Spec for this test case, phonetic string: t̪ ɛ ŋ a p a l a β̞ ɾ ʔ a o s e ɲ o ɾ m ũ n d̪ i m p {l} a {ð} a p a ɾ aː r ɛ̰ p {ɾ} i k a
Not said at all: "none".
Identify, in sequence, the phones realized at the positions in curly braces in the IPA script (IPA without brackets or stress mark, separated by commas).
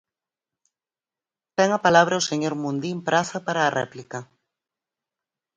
ɾ, θ, l